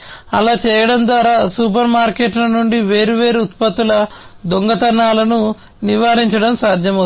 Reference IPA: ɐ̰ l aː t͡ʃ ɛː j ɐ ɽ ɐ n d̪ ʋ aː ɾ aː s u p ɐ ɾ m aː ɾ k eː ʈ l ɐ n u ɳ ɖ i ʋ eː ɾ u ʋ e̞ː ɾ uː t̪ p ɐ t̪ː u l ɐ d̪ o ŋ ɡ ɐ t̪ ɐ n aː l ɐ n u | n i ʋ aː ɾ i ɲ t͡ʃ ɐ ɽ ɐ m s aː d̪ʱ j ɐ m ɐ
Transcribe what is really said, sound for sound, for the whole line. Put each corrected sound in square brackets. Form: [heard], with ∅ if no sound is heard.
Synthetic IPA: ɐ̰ l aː t͡ʃ ɛː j ɐ ɽ ɐ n d̪ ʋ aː ɾ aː s u p ɐ ɾ m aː ɾ k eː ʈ l ɐ n u ɳ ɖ i ʋ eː ɾ u ʋ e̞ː ɾ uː t̪ p ɐ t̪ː u l ɐ d̪ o ŋ ɡ ɐ t̪ ɐ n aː l ɐ n u | n i ʋ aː ɾ i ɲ t͡ʃ ɐ ɽ ɐ m s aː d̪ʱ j ɐ m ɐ